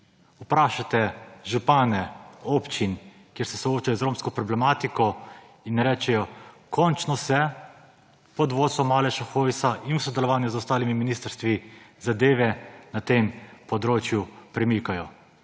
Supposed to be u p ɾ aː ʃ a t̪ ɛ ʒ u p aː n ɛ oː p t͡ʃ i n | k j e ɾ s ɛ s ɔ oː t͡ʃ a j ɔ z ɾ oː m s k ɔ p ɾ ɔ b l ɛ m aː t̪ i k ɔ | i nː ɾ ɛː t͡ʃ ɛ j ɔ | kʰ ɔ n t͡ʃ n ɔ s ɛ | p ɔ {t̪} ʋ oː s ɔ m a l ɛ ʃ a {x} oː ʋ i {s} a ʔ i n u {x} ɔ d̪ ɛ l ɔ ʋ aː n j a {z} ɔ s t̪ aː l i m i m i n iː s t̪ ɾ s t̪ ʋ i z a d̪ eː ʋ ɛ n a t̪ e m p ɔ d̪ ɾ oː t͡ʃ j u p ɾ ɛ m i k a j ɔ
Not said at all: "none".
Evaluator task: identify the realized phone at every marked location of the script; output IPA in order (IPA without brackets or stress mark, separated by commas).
d̪, x, s, s, z